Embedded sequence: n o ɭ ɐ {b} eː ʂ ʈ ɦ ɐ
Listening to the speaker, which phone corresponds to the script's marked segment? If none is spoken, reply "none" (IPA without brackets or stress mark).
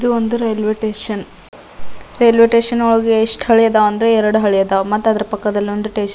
ɡ